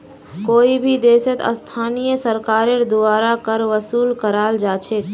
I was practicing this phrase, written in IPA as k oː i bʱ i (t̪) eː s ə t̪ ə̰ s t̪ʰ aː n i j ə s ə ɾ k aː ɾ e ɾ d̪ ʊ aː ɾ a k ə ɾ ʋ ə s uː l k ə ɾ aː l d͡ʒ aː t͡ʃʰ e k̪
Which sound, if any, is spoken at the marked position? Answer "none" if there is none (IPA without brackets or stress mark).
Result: d̪